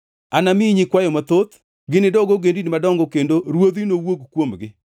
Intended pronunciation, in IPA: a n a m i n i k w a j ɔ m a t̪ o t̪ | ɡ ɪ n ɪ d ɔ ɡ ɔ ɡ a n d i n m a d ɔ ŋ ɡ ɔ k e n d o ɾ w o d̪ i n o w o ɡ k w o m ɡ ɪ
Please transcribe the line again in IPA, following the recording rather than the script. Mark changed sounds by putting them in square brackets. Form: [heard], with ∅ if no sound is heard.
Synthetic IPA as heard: a n a m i [ɲ] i k w a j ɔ m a t̪ o t̪ | ɡ ɪ n ɪ d ɔ ɡ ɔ ɡ [e] n d i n m a d ɔ ŋ ɡ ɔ k e n d o ɾ w o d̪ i n o w o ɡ k w o m ɡ ɪ